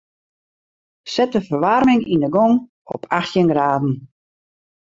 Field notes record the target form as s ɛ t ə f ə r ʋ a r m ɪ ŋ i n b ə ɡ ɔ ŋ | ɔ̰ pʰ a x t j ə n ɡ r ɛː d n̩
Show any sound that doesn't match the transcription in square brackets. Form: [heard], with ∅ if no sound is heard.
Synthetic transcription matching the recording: s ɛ t ə f ə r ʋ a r m ɪ ŋ i n [d] ə ɡ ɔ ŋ | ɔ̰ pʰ a x t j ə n ɡ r [aː] d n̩